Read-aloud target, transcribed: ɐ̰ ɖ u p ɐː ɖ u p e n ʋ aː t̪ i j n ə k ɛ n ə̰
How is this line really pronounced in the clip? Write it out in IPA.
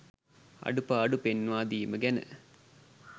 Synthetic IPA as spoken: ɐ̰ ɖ u p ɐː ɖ u p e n ʋ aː d̪ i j m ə ɡ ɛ n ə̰